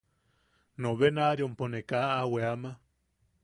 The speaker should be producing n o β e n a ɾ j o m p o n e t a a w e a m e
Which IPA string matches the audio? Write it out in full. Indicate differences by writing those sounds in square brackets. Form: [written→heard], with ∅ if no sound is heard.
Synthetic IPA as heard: n o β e n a ɾ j o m p o n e [t→k] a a w e a m [e→a]